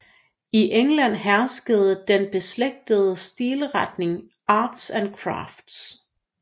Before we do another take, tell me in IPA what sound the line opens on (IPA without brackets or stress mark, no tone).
i